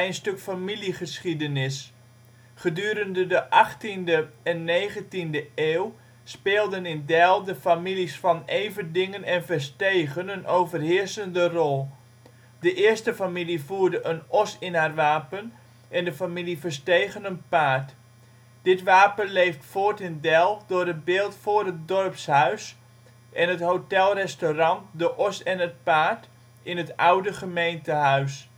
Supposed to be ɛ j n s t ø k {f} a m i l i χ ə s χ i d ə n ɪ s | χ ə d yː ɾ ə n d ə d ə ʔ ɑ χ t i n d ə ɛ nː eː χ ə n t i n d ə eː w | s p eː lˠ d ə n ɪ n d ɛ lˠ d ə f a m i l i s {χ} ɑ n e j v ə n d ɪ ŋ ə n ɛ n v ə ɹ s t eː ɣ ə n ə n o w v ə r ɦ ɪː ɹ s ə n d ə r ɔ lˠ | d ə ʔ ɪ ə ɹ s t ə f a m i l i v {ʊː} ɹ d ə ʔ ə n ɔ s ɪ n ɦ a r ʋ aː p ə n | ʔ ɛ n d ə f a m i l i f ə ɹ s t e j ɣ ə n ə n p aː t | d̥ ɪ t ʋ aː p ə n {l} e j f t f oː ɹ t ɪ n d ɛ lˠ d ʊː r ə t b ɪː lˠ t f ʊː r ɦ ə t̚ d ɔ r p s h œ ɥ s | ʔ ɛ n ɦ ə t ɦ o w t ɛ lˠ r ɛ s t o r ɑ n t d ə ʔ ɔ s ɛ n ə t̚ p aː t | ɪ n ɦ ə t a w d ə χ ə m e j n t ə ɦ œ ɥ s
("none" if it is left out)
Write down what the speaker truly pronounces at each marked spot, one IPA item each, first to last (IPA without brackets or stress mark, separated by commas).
f, f, uː, l